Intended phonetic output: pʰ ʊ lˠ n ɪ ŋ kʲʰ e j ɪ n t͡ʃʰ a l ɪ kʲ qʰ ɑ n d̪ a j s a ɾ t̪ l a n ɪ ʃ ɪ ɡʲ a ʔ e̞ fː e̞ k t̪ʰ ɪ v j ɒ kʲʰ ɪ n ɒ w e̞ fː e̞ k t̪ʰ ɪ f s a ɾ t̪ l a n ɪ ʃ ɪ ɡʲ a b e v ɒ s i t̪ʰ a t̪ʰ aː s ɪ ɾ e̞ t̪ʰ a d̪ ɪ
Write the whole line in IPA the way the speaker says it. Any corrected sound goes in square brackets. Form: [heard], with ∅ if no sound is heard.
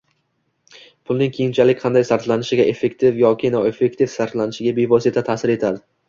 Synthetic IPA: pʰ ʊ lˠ n ɪ ŋ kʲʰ e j ɪ n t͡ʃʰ a l ɪ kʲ qʰ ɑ n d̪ a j s a ɾ t̪ l a n ɪ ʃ ɪ ɡʲ a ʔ e̞ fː e̞ k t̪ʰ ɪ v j ɒ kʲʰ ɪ n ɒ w e̞ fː e̞ k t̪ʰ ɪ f s a ɾ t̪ l a n ɪ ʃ ɪ ɡʲ a b e v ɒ s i t̪ʰ a t̪ʰ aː s ɪ ɾ e̞ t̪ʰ a d̪ ɪ